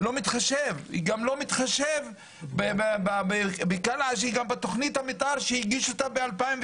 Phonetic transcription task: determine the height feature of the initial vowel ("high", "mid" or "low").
mid